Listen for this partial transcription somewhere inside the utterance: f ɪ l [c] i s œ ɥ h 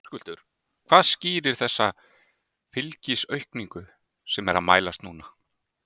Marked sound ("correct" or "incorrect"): correct